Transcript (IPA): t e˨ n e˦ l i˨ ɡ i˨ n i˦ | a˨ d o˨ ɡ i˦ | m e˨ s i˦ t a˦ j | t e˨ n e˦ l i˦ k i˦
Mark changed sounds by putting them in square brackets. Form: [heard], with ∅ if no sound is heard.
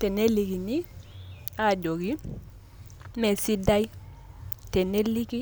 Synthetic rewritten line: t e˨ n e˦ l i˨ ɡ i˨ n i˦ | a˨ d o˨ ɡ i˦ | m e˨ s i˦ [d] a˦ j | t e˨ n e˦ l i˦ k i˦